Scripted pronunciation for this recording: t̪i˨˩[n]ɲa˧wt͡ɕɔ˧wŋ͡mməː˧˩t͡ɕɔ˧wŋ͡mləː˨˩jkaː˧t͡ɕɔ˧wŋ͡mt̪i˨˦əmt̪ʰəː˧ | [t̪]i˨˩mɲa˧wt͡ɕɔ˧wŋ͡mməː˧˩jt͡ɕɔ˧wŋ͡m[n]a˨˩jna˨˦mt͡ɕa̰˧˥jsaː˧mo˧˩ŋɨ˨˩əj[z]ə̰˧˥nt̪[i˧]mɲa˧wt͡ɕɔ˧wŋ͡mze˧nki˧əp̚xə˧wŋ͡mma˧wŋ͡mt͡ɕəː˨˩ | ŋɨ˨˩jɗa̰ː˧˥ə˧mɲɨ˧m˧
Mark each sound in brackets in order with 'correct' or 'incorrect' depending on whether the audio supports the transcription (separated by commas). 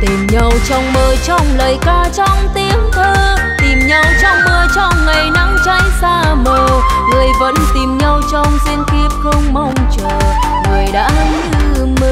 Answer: incorrect, correct, incorrect, incorrect, incorrect